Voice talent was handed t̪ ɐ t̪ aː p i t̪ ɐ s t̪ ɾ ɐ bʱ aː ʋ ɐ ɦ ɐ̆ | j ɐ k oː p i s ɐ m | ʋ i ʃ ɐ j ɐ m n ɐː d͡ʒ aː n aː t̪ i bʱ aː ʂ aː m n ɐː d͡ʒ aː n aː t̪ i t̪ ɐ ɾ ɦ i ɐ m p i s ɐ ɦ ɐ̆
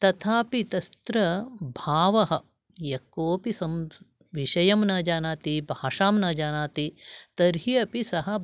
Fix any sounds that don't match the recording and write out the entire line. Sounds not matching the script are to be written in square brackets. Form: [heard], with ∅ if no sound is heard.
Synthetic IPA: t̪ ɐ [t̪ʰ] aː p i t̪ ɐ s t̪ ɾ ɐ bʱ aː ʋ ɐ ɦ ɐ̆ | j ɐ k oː p i s ɐ m | ʋ i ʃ ɐ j ɐ m n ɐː d͡ʒ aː n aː t̪ i bʱ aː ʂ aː m n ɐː d͡ʒ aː n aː t̪ i t̪ ɐ ɾ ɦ i ɐ [∅] p i s ɐ ɦ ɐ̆